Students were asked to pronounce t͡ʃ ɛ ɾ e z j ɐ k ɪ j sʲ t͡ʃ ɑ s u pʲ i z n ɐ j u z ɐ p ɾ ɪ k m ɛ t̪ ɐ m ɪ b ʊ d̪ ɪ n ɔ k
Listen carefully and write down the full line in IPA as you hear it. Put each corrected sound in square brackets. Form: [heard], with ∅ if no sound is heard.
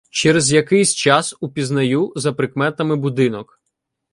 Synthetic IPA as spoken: t͡ʃ ɛ ɾ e z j ɐ k ɪ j sʲ t͡ʃ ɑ s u pʲ i z n ɐ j u z ɐ p ɾ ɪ k m ɛ t̪ ɐ m ɪ b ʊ d̪ ɪ n ɔ k